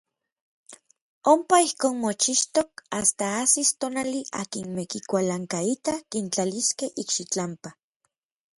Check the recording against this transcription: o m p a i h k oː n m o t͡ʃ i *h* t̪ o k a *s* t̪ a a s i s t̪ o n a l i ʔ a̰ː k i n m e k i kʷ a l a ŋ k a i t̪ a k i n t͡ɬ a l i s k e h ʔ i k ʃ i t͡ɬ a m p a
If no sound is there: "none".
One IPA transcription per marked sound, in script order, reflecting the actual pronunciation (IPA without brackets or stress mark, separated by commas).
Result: ʃ, s